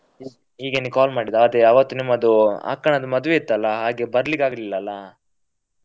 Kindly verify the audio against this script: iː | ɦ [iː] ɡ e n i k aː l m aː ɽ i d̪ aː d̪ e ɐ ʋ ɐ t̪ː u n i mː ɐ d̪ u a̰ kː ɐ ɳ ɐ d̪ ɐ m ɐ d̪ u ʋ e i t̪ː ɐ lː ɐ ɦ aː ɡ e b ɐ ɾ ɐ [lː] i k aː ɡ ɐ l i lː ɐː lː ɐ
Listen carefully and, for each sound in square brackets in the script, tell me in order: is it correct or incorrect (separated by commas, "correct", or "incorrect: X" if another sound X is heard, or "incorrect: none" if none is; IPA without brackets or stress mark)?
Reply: correct, incorrect: l